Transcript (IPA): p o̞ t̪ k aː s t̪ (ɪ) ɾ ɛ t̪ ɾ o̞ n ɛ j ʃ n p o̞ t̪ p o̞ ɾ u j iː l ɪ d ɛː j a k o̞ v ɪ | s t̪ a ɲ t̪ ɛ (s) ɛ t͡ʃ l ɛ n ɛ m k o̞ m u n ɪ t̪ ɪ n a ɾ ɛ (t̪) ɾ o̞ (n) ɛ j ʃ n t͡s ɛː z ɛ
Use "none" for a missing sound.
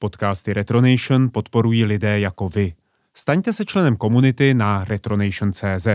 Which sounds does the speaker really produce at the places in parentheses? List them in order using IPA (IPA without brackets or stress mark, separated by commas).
ɪ, s, t̪, n